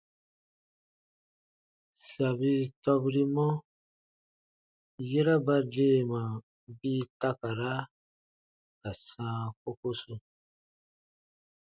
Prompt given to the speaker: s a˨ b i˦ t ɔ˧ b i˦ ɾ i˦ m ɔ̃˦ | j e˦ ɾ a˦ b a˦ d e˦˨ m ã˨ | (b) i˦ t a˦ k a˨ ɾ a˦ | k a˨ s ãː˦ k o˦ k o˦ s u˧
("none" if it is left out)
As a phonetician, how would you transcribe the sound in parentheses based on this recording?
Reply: b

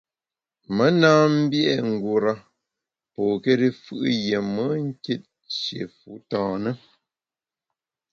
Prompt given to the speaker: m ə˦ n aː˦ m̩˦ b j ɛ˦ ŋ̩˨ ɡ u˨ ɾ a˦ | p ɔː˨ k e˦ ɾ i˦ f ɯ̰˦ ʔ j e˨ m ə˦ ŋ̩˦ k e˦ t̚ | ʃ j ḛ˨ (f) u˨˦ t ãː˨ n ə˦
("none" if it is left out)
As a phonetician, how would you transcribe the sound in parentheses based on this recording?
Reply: f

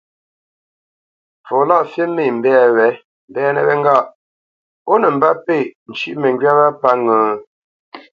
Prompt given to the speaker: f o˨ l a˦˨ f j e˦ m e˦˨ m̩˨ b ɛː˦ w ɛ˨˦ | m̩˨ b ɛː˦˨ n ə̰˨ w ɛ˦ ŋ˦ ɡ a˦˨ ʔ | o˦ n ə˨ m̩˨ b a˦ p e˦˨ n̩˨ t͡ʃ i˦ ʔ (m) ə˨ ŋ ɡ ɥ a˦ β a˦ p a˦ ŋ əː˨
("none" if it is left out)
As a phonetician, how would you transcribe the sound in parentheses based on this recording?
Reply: m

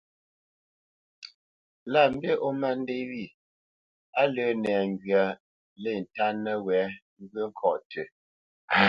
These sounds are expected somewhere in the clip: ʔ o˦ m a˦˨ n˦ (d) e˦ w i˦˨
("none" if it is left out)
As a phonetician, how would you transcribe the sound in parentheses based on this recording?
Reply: d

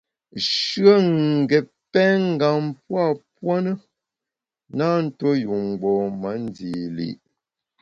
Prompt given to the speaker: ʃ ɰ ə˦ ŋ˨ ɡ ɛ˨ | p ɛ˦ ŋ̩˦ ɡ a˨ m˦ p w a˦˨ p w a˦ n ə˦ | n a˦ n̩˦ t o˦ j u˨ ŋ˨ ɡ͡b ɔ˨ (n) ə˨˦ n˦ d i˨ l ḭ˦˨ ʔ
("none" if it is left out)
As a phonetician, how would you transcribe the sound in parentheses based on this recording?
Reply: m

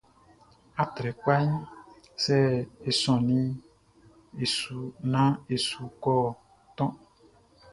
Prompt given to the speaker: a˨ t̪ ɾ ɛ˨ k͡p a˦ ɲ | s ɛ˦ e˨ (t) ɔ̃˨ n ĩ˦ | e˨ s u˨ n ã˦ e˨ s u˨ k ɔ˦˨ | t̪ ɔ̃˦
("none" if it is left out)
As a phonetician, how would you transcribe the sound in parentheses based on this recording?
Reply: s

